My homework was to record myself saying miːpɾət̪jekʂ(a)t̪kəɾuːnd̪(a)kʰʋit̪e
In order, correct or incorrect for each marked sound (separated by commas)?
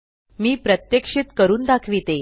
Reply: incorrect, correct